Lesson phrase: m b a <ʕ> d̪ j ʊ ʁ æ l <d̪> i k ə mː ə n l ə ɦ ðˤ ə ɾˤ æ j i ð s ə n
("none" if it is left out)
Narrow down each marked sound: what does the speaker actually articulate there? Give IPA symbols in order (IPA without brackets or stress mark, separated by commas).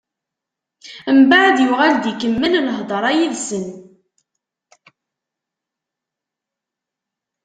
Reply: ʕ, d̪